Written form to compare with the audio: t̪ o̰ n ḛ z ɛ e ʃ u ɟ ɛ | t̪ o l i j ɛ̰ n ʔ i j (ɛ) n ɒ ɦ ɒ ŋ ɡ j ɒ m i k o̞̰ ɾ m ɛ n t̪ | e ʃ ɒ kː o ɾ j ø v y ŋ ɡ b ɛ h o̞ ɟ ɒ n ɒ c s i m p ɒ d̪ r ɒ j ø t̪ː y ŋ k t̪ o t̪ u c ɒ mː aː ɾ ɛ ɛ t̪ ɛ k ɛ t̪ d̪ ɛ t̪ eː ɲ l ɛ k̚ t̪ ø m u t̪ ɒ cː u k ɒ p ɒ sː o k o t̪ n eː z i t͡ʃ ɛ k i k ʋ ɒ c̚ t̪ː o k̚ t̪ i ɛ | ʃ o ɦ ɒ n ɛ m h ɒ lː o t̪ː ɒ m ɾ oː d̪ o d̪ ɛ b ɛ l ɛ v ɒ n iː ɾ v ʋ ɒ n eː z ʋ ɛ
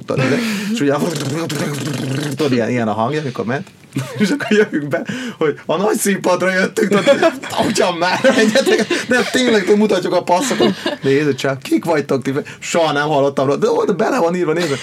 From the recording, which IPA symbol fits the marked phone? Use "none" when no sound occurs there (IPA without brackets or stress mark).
ɛ